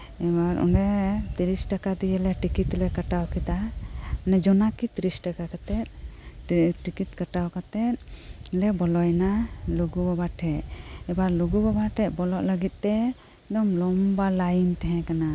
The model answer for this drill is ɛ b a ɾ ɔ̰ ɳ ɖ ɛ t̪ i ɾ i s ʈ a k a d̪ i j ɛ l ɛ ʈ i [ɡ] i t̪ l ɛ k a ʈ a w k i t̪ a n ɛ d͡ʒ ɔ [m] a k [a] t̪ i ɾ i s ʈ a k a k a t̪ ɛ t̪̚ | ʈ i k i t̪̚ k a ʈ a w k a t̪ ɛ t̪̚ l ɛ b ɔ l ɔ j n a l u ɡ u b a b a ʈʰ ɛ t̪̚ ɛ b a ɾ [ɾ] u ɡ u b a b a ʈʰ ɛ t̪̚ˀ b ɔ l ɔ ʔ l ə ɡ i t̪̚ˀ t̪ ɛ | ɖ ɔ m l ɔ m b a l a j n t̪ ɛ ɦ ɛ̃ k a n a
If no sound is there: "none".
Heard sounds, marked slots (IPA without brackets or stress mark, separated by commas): k, n, i, l